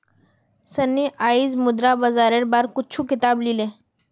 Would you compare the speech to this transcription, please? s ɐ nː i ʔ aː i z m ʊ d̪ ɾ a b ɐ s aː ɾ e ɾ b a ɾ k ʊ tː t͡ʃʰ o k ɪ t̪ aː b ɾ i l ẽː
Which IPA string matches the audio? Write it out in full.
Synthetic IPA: s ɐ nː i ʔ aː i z m ʊ d̪ ɾ a b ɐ z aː ɾ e ɾ b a ɾ k ʊ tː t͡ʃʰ u k ɪ t̪ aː b l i l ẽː